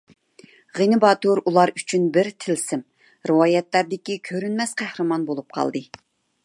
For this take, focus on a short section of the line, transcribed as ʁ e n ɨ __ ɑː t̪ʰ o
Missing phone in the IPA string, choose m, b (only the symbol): b